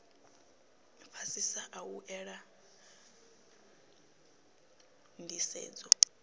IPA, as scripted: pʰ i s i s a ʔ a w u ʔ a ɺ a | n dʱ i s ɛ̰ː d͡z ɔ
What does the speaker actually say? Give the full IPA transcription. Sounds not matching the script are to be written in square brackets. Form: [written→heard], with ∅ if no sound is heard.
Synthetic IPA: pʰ [i→a] s i s a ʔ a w u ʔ [a→ɛ] ɺ a | n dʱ i s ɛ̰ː d͡z ɔ